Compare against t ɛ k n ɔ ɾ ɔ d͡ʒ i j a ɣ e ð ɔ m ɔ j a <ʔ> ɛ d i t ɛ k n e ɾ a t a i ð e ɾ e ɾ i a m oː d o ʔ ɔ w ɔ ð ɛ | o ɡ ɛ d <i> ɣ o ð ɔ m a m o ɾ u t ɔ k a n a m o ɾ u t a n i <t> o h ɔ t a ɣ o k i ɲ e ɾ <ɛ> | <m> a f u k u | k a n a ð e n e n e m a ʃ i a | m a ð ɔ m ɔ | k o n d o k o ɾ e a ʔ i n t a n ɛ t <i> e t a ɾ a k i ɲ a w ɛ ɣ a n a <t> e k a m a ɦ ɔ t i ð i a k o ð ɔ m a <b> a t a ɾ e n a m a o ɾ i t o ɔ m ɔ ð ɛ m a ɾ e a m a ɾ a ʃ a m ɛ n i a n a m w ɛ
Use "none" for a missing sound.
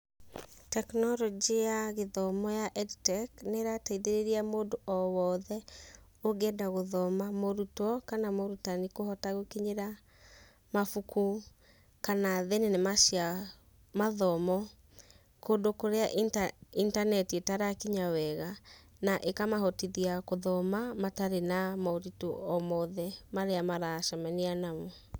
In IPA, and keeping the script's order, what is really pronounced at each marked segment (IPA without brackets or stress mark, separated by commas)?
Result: ʔ, a, k, a, m, i, ʔ, m